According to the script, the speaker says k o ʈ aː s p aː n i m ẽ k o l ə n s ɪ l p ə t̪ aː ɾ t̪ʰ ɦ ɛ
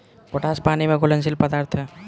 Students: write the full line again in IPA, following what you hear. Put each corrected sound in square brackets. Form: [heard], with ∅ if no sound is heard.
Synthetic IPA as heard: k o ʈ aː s p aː n i m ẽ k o l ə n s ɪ l p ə [d̪] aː ɾ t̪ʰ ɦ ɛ